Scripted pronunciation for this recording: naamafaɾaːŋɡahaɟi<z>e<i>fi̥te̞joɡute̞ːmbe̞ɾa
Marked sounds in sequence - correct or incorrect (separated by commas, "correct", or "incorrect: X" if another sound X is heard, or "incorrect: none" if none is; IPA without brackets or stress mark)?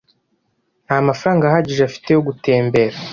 incorrect: ʒ, incorrect: a